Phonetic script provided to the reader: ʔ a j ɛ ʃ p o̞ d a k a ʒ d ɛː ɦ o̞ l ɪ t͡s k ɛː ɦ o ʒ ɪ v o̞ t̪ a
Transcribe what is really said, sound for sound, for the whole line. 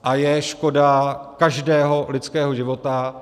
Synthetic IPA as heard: ʔ a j ɛ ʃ k o̞ d a k a ʒ d ɛː ɦ o̞ l ɪ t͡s k ɛː ɦ o ʒ ɪ v o̞ t̪ a